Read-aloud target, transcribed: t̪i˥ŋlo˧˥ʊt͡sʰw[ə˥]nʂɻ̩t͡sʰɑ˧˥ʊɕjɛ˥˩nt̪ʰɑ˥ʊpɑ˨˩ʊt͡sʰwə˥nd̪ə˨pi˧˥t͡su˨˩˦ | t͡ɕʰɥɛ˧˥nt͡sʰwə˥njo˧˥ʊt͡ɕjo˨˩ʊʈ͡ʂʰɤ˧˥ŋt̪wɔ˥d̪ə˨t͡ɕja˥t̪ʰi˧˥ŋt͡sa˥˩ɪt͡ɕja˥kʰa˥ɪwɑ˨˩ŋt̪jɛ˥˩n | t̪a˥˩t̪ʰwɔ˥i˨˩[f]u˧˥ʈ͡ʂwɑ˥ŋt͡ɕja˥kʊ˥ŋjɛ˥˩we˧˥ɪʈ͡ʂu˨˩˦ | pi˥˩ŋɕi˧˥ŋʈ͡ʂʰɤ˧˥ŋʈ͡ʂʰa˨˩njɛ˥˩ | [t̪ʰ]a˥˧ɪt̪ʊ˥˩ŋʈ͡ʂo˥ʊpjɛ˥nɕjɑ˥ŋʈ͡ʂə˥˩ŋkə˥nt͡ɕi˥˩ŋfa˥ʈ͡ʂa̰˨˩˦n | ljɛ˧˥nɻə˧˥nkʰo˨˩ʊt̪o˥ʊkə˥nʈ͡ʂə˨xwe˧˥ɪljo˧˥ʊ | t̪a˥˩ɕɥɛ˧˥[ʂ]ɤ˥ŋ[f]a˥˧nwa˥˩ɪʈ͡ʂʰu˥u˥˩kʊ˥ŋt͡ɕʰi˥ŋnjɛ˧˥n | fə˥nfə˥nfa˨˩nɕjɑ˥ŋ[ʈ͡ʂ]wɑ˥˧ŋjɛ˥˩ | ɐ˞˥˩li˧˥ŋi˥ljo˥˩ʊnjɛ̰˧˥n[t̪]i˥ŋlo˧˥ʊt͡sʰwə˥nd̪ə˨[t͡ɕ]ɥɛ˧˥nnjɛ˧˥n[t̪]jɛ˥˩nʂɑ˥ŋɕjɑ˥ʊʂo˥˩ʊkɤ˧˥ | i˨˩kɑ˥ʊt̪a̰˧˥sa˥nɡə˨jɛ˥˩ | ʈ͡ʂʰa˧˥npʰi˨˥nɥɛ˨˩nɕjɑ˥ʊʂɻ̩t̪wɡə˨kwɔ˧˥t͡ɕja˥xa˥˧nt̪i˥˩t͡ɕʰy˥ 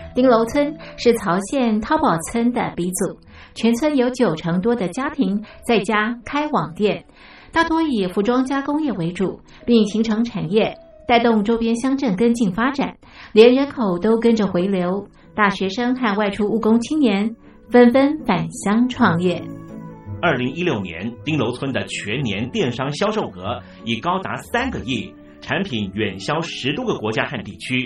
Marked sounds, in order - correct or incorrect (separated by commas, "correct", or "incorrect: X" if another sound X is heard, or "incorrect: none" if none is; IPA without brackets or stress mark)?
correct, correct, incorrect: t̪, correct, incorrect: x, incorrect: ʈ͡ʂʰ, correct, incorrect: t͡ɕʰ, correct